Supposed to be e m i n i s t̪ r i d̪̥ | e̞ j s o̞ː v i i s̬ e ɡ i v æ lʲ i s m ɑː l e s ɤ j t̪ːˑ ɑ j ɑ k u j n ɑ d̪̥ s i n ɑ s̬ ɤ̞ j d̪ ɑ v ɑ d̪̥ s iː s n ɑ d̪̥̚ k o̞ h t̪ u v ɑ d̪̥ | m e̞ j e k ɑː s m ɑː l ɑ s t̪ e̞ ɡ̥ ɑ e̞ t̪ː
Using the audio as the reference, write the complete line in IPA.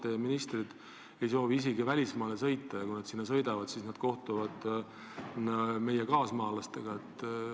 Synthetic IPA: e m i n i s t̪ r i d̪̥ | e̞ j s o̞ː v i i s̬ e ɡ i v æ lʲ i s m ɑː l e s ɤ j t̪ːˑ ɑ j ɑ k u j n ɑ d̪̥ s i nː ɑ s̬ ɤ̞ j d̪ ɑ v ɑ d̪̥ s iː s n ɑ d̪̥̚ k o̞ h t̪ u v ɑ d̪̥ | m e̞ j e k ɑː s m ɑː l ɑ s t̪ e̞ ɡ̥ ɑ e̞ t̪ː